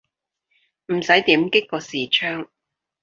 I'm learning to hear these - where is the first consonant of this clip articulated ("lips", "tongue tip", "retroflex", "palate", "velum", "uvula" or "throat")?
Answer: lips